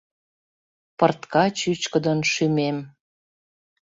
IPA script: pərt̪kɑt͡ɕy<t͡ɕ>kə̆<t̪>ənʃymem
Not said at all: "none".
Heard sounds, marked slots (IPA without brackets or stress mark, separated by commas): t͡ɕ, d̪